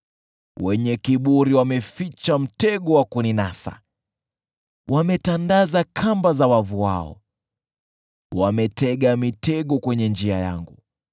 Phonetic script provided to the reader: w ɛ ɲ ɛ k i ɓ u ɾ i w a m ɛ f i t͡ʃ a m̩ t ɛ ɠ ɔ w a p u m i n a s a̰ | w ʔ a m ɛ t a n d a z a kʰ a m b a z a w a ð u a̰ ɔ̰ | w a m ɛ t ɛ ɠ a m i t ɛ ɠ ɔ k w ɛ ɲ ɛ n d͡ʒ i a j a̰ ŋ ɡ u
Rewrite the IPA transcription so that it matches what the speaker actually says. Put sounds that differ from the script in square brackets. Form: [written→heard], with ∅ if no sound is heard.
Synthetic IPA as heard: w ɛ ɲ ɛ k i ɓ u ɾ i w a m ɛ f i t͡ʃ a m̩ t ɛ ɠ ɔ w a [p→k] u [m→n] i n a s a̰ | w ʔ a m ɛ t a n d a z a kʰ a m b a z a w a [ð→v] u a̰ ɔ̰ | w a m ɛ t ɛ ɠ a m i t ɛ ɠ ɔ k w ɛ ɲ ɛ n d͡ʒ i a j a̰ ŋ ɡ u